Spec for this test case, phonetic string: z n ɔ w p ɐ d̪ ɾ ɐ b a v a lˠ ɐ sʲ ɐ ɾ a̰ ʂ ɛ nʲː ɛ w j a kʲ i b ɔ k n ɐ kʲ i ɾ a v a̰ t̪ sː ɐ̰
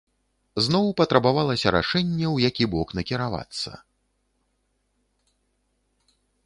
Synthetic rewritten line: z n ɔ w p ɐ t̪ ɾ ɐ b a v a lˠ ɐ sʲ ɐ ɾ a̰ ʂ ɛ nʲː ɛ w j a kʲ i b ɔ k n ɐ kʲ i ɾ a v a̰ t̪ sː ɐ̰